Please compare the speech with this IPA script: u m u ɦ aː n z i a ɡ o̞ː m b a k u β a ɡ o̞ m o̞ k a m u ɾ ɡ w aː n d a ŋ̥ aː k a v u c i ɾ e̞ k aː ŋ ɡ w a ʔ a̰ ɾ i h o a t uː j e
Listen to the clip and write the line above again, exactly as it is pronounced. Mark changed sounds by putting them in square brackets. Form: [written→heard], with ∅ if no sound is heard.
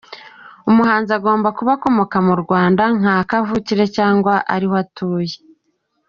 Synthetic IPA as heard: u m u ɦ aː n z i a ɡ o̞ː m b a k u β a [ɡ→k] o̞ m o̞ k a m u ɾ ɡ w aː n d a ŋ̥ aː k a v u c i ɾ e̞ [k→c] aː ŋ ɡ w a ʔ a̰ ɾ i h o a t uː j e